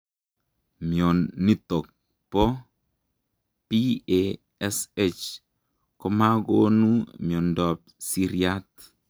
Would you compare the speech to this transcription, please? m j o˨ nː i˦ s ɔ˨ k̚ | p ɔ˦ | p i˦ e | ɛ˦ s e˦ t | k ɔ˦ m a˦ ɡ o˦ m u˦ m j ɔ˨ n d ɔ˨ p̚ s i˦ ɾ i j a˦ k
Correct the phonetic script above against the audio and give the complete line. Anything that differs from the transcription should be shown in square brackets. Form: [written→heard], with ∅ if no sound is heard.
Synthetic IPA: m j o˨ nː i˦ [s→t] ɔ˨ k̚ | p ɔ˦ | p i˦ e | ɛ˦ s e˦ [t→t͡ʃ] | k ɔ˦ m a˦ ɡ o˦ [m→n] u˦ m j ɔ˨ n d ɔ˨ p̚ s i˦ ɾ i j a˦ [k→t]